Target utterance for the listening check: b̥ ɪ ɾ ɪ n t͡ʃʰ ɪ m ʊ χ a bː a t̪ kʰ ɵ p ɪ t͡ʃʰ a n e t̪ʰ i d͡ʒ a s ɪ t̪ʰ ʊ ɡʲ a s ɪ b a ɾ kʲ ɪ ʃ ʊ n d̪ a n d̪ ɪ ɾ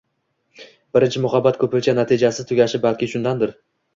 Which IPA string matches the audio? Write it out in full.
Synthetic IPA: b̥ ɪ ɾ ɪ n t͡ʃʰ ɪ m ʊ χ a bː a t̪ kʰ ɵ p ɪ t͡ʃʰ a n a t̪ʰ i d͡ʒ a s ɪ t̪ʰ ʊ ɡʲ a ʃ ɪ b a l kʲ ɪ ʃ ʊ n d̪ a n d̪ ɪ ɾ